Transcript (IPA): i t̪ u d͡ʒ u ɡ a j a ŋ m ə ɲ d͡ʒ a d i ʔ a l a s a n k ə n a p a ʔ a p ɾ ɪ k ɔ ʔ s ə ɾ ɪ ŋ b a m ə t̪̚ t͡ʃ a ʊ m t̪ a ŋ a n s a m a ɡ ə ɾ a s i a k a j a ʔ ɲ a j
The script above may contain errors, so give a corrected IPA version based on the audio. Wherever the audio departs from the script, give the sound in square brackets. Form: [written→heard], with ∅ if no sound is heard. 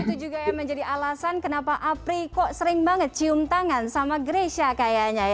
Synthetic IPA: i t̪ u d͡ʒ u ɡ a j a ŋ m ə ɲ d͡ʒ a d i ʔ a l a s a n k ə n a p a ʔ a p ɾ [ɪ→i] k ɔ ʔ s ə ɾ ɪ ŋ b a [m→ŋ] ə t̪̚ t͡ʃ [a→i] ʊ m t̪ a ŋ a n s a m a ɡ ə ɾ [a→e] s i a k a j a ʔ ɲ a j